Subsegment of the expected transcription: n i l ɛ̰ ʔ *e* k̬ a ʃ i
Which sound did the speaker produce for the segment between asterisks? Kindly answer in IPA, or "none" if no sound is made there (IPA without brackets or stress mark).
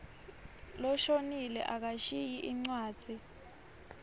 a